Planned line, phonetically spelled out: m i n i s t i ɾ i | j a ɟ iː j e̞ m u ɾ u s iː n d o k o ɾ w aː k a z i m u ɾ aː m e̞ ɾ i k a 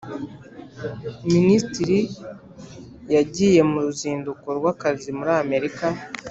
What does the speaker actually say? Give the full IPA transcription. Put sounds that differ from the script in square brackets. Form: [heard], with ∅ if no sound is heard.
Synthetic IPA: m i n i s t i ɾ i | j a ɟ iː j e̞ m u ɾ u [z] iː n d [u] k o ɾ w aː k a z i m u ɾ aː m e̞ ɾ i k a